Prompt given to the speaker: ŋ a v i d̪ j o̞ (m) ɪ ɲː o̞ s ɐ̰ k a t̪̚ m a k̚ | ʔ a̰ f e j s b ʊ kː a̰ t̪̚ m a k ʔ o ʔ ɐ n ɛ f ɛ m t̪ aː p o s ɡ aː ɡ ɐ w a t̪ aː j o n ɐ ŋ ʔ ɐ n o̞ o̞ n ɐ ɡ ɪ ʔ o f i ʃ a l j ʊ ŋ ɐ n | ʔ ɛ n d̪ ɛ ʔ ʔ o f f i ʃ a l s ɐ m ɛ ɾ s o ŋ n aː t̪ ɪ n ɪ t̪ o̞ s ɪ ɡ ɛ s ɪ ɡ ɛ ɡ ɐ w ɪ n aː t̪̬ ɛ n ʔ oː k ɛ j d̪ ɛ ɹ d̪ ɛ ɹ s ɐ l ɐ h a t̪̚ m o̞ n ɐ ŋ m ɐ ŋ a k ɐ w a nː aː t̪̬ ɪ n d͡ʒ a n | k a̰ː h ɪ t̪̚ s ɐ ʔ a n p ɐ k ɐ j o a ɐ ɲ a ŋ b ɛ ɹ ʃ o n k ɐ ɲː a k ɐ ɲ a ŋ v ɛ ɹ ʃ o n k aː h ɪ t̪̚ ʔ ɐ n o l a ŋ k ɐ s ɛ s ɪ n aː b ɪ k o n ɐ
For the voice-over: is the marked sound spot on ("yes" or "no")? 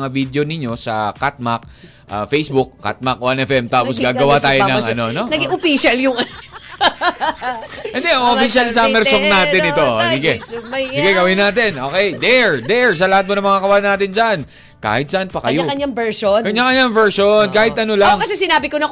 no